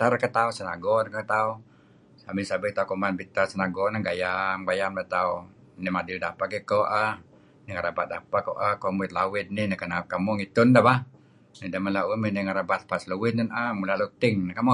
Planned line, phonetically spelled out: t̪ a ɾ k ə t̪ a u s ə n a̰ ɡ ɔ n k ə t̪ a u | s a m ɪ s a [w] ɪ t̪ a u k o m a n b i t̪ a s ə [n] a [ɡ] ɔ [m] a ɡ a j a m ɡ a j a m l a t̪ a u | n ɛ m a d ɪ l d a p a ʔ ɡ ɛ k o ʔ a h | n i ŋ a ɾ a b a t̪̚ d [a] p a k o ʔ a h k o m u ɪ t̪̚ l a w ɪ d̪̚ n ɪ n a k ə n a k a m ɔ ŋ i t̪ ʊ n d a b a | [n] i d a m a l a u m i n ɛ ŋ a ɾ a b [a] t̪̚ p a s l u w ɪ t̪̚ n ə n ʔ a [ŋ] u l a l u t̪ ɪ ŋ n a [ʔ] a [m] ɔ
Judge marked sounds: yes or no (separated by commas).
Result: no, yes, yes, no, yes, yes, yes, no, no, yes